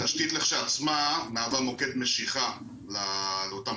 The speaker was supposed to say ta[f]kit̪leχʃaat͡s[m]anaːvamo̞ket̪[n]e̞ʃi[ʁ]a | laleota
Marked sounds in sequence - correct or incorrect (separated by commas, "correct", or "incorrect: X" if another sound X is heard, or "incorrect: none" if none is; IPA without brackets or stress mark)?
incorrect: ʃ, correct, incorrect: m, incorrect: χ